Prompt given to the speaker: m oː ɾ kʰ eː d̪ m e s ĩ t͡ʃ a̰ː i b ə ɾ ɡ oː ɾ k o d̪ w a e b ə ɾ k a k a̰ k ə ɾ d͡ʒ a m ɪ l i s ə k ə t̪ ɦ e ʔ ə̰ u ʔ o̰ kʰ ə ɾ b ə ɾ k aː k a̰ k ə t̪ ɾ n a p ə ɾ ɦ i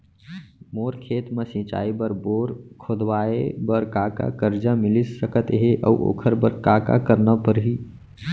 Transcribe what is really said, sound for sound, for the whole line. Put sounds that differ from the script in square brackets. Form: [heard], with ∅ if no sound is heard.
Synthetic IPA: m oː ɾ kʰ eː [t̪] m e s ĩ t͡ʃ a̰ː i b ə ɾ [b] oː ɾ [kʰ] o d̪ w a e b ə ɾ k a k a̰ k ə ɾ d͡ʒ a m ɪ l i s ə k ə t̪ ɦ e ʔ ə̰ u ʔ o̰ kʰ ə ɾ b ə ɾ k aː k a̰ k ə [∅] ɾ n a p ə ɾ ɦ i